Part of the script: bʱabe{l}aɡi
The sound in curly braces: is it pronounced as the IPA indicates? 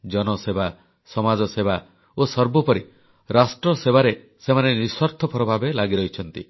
yes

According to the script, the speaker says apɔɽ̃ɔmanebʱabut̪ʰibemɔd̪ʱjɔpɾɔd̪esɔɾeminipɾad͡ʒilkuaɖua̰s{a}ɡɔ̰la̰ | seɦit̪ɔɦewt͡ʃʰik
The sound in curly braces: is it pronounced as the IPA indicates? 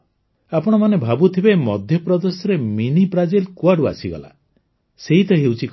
no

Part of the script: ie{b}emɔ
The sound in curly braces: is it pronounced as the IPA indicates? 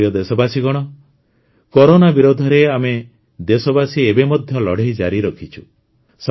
yes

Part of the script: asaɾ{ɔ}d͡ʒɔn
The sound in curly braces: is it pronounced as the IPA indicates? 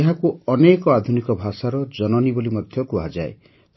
yes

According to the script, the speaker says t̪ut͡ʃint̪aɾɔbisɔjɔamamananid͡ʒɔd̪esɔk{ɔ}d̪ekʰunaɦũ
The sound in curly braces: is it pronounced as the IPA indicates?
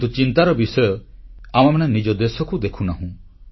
no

